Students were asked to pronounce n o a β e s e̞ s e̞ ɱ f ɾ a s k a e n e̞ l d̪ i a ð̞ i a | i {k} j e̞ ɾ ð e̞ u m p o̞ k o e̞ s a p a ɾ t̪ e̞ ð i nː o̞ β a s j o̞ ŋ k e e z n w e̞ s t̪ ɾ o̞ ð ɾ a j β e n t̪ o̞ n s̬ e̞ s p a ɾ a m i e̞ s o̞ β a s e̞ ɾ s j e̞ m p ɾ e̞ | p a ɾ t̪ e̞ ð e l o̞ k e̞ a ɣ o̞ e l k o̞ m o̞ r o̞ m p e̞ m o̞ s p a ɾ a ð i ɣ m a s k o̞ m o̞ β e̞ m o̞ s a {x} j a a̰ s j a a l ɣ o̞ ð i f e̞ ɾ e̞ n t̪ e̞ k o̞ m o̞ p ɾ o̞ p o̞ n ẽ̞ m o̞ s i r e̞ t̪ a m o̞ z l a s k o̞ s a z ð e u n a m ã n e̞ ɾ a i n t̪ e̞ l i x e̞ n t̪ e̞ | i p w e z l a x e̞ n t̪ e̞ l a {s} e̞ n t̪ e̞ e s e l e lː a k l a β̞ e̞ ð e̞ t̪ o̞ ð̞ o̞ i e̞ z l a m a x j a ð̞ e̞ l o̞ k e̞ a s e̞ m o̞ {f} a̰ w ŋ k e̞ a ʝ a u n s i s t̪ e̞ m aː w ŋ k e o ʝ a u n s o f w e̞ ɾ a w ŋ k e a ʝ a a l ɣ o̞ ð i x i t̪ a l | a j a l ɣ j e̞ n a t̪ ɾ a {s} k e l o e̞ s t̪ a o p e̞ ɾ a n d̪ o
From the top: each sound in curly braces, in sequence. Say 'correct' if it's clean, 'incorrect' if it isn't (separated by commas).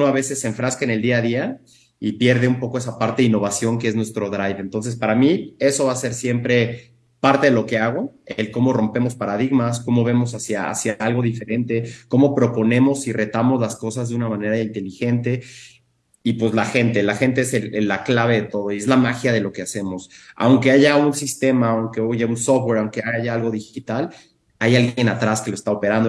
incorrect, incorrect, incorrect, incorrect, correct